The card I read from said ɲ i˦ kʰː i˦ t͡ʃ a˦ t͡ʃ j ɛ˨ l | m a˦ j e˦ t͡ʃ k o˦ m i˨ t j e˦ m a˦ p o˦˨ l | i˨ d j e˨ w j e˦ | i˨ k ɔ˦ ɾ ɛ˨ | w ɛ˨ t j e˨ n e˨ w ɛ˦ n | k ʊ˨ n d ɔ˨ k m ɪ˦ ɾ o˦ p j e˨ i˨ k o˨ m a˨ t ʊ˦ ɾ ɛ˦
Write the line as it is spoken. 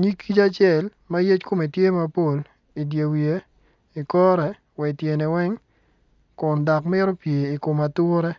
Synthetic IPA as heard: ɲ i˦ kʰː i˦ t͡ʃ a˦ t͡ʃ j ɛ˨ l | m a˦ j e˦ t͡ʃ k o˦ m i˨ t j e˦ m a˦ p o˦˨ l | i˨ d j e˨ w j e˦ | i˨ k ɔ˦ ɾ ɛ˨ | w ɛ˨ t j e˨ n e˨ w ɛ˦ ŋ | k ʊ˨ n d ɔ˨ k m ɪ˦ ɾ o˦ p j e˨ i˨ k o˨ m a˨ t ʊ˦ ɾ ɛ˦